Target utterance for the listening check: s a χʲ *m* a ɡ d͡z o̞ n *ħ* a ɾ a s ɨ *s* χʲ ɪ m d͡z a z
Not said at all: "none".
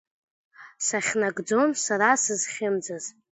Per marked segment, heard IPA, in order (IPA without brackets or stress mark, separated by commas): n, s, z